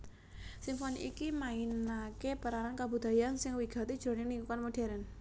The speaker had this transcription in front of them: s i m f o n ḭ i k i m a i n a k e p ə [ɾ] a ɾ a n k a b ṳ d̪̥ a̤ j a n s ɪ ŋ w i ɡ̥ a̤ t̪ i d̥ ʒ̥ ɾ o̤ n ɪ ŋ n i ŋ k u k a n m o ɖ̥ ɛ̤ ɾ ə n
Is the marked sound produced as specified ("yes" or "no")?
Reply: yes